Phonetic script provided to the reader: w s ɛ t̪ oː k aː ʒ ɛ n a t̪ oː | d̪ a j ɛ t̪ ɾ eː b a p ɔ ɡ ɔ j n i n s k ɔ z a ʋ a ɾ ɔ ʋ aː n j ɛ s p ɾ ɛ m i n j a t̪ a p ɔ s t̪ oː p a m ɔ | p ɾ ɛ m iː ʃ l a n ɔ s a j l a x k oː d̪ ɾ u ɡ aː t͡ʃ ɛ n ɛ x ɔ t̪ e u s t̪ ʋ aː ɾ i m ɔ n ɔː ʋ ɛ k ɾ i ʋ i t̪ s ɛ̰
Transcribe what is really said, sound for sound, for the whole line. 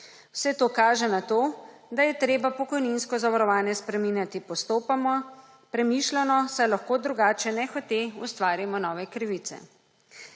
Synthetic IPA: w s ɛ t̪ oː k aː ʒ ɛ n a t̪ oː | d̪ a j ɛ t̪ ɾ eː b a p ɔ k ɔ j n i n s k ɔ z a ʋ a ɾ ɔ ʋ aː n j ɛ s p ɾ ɛ m i n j a t̪ i p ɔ s t̪ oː p a m ɔ | p ɾ ɛ m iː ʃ l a n ɔ s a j l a x k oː d̪ ɾ u ɡ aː t͡ʃ ɛ n ɛ x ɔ t̪ e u s t̪ ʋ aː ɾ i m ɔ n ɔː ʋ ɛ k ɾ i ʋ i t̪ s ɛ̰